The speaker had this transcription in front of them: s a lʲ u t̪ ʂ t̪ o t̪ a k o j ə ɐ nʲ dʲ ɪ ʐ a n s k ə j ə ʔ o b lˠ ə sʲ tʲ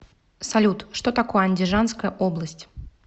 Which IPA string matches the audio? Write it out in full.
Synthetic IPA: s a lʲ u t̪ ʂ t̪ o t̪ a k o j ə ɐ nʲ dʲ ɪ ʐ a n s k ə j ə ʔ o b lˠ ə sʲ tʲ